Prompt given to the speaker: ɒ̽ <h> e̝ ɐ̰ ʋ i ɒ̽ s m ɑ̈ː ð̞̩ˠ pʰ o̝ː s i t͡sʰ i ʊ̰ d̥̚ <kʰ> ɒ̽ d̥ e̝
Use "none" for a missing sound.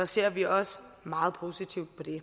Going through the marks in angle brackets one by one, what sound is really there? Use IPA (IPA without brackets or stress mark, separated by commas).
s, pʰ